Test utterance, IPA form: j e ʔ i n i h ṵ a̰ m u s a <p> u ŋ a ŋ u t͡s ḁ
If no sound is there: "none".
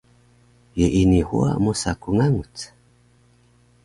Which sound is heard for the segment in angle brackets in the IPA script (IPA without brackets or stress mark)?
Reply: k